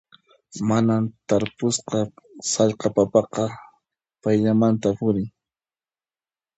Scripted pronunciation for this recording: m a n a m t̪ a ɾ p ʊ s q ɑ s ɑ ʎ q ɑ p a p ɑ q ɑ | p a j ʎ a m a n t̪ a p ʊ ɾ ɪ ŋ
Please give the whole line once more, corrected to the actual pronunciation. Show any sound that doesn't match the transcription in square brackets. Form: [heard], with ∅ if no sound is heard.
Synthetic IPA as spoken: m a n a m t̪ a ɾ p ʊ s q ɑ s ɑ ʎ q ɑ p a p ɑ q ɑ | p a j ʎ a m a n t̪ a p ʊ ɾ ɪ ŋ